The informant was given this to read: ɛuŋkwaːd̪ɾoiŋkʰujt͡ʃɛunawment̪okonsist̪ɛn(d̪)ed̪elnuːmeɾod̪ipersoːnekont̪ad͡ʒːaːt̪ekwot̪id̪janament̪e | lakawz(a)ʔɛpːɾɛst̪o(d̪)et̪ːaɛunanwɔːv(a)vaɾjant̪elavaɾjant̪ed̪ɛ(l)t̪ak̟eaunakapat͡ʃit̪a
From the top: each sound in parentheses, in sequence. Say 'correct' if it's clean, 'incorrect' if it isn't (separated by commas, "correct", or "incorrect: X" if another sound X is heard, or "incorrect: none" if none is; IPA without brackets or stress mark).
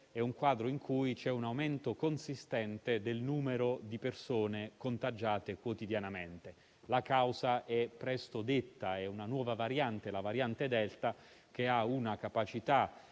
incorrect: t̪, correct, correct, correct, correct